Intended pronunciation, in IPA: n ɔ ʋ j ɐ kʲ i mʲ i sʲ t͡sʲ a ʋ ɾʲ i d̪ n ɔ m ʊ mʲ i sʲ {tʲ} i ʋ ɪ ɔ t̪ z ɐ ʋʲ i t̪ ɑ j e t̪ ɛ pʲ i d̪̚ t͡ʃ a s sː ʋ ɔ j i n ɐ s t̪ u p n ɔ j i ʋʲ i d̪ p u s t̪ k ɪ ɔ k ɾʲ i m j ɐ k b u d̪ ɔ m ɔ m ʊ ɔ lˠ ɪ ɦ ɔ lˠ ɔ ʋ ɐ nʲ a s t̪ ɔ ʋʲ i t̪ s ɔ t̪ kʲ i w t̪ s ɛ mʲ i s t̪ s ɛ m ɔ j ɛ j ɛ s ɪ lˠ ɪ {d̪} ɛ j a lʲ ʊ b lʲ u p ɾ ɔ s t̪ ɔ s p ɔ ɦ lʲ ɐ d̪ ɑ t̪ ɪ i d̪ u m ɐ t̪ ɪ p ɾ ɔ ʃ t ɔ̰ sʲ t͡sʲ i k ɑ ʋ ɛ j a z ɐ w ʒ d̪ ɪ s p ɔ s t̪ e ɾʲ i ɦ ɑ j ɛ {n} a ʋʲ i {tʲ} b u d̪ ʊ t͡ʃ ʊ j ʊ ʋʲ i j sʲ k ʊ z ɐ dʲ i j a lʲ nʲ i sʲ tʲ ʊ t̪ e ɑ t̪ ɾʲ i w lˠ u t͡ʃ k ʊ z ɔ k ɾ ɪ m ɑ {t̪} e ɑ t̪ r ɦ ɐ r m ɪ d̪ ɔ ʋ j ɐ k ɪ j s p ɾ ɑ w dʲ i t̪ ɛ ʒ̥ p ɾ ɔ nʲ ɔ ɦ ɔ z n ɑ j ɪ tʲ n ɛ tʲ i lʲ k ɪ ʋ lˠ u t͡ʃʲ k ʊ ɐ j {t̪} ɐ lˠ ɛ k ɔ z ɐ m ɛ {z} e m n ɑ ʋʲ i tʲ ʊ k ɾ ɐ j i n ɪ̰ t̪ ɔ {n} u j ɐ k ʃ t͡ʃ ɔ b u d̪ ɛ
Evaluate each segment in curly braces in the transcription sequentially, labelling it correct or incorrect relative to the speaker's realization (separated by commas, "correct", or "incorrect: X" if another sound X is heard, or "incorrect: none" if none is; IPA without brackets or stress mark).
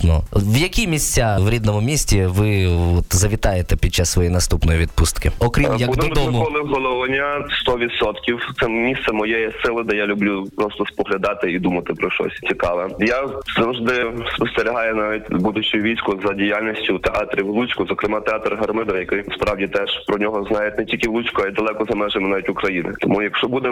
correct, correct, correct, correct, correct, incorrect: d̪, incorrect: ʒ, incorrect: m